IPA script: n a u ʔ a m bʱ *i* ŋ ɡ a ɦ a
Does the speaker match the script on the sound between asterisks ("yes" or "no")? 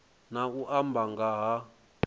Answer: no